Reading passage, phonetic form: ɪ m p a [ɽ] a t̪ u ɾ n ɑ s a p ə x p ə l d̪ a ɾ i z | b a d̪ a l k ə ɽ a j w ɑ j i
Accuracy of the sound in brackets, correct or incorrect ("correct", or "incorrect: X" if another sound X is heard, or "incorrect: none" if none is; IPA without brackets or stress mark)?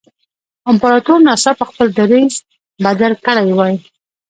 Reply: incorrect: ɾ